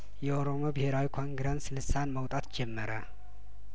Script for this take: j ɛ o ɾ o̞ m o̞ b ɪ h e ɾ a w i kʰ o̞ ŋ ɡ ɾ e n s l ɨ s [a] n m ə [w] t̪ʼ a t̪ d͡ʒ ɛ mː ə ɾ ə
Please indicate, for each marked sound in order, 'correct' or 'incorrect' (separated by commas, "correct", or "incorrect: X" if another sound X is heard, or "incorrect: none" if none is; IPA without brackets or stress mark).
correct, correct